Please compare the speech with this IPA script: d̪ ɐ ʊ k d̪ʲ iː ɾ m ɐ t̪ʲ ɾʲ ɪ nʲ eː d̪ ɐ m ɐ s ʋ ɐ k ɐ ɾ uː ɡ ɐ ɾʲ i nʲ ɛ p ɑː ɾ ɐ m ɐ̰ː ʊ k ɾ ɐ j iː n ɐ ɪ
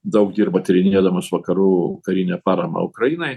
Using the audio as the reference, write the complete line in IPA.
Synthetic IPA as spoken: d̪ ɐ ʊ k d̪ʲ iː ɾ b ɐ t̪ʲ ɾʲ ɪ nʲ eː d̪ ɐ m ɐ s ʋ ɐ k ɐ ɾ uː k ɐ ɾʲ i nʲ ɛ p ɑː ɾ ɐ m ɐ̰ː ʊ k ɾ ɐ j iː n ɐ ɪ